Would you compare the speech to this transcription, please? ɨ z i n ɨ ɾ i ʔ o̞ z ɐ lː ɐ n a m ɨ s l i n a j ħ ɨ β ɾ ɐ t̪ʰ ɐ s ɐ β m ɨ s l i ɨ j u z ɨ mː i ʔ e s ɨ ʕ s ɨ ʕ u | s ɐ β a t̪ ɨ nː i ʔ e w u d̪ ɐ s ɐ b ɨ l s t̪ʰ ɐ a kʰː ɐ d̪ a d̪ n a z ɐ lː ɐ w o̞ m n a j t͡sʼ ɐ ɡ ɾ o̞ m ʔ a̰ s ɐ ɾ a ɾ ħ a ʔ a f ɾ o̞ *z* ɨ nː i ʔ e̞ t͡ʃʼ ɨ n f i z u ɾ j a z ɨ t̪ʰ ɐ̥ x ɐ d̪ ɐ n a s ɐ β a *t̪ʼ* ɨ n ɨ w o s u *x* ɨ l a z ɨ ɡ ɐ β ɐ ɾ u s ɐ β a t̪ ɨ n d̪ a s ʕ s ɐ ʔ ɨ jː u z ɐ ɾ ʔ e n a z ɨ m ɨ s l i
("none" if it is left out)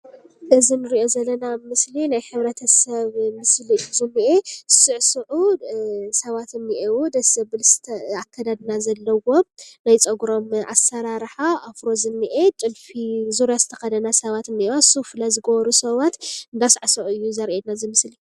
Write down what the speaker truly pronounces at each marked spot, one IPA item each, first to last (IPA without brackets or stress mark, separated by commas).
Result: z, t̪, f